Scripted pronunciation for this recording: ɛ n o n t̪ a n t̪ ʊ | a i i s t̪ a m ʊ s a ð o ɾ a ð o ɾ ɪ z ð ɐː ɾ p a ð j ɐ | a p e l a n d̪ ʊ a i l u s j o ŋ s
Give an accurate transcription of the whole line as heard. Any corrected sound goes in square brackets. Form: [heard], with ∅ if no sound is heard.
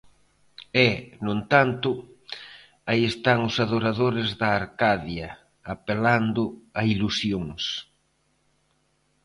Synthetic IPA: ɛ n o n t̪ a n t̪ ʊ | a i [e] s t̪ a [ŋ] ʊ s a ð o ɾ a ð o ɾ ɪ z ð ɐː ɾ [k] a ð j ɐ | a p e l a n d̪ ʊ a i l u s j o ŋ s